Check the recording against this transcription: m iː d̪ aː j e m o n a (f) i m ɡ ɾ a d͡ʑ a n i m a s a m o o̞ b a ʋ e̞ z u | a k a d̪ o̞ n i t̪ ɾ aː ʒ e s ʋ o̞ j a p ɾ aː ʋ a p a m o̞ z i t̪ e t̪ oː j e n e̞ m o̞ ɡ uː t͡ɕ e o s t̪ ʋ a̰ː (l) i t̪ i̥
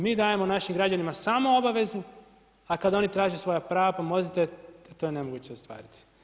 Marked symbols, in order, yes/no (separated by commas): no, no